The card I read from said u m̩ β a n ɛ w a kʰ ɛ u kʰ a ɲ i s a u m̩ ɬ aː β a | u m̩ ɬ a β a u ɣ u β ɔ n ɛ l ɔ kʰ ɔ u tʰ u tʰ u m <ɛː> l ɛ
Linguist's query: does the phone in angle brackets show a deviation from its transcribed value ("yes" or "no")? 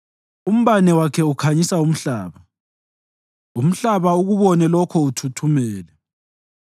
no